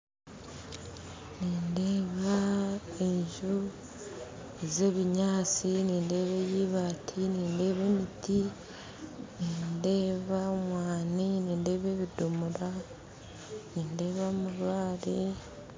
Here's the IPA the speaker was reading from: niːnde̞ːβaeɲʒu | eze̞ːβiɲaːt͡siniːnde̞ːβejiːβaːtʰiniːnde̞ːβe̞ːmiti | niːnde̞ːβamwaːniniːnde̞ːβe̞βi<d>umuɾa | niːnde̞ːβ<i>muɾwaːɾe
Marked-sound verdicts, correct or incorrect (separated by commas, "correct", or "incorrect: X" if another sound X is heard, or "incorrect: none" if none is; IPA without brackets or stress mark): correct, incorrect: a